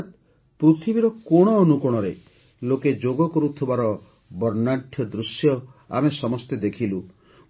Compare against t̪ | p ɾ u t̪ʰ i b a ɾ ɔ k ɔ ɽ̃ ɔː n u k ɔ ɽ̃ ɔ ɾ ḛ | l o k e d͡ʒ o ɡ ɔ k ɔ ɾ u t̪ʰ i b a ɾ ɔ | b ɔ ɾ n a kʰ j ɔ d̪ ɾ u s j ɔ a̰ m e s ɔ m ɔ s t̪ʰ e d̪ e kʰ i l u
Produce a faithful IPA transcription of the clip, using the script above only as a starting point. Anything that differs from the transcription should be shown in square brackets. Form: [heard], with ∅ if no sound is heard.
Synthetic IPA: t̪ | p ɾ u t̪ʰ i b [i] ɾ ɔ k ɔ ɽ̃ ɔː n u k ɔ ɽ̃ ɔ ɾ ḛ | l o k e d͡ʒ o ɡ ɔ k ɔ ɾ u t̪ʰ i b a ɾ ɔ | b ɔ ɾ n a [ʈʰ] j ɔ d̪ ɾ u s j ɔ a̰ m e s ɔ m ɔ s [t̪] e d̪ e kʰ i l u